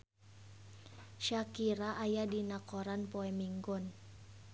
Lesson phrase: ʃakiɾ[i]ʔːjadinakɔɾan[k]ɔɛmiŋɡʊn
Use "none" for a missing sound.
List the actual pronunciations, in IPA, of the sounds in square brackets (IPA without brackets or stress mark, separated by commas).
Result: a, p